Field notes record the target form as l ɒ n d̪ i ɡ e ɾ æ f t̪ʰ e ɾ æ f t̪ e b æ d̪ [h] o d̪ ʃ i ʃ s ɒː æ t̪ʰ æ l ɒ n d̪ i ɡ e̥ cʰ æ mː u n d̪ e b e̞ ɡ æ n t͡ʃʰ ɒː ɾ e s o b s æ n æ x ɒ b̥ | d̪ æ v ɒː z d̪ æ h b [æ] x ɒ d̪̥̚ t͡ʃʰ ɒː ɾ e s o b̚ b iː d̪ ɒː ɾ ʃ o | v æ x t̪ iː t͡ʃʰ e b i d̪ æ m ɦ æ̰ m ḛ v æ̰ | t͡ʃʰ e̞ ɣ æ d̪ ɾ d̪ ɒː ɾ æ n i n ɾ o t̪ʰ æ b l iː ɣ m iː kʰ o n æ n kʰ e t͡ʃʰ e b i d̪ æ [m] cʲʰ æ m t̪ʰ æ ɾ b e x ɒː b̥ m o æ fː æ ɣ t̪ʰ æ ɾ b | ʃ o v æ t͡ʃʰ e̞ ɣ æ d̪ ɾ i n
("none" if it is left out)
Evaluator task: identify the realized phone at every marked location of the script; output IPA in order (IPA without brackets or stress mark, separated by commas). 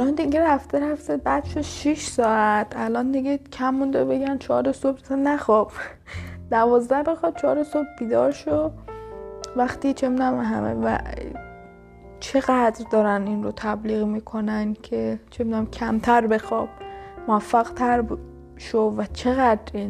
ʃ, e, m